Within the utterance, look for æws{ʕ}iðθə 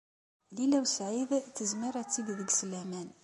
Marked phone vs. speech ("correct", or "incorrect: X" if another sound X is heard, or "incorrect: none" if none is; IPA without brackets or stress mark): correct